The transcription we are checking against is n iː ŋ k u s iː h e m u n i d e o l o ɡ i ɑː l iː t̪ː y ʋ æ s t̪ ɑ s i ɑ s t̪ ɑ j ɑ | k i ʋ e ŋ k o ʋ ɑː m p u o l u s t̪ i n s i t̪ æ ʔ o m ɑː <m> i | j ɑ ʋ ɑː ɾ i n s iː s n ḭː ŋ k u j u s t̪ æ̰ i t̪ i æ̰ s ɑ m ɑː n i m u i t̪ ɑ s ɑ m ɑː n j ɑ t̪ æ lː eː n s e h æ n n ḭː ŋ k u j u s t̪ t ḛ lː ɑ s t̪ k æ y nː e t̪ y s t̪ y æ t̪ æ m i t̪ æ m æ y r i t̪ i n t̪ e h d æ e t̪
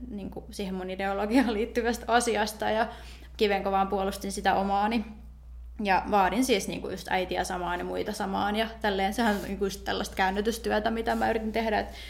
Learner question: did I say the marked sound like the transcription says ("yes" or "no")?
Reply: no